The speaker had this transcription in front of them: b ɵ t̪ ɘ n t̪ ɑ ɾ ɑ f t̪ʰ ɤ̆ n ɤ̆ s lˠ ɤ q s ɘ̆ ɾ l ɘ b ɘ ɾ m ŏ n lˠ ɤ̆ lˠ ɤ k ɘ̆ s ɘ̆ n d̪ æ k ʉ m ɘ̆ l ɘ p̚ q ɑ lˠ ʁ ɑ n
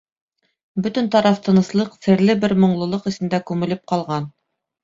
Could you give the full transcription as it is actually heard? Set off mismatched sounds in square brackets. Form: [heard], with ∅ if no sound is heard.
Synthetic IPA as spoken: b ɵ t̪ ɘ n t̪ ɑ ɾ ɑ f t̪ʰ ɤ̆ n ɤ̆ s lˠ ɤ q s ɘ̆ ɾ l ɘ b ɘ ɾ m ŏ [ɴ] lˠ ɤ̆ lˠ ɤ [q] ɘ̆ s ɘ̆ n d̪ æ k ʉ m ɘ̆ l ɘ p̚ q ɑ lˠ ʁ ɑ n